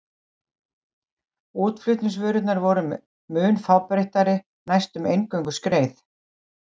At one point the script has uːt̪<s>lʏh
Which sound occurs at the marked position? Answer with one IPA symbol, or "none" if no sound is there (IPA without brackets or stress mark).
f